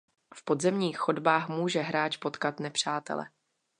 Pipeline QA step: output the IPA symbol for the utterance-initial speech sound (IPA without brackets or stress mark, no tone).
f